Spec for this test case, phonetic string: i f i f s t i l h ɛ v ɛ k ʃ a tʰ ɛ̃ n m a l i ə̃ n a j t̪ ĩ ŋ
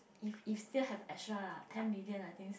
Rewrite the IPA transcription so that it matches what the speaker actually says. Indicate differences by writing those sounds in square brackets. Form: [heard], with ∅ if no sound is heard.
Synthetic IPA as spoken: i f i f s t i l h ɛ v ɛ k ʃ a tʰ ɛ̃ n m [i] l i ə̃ n a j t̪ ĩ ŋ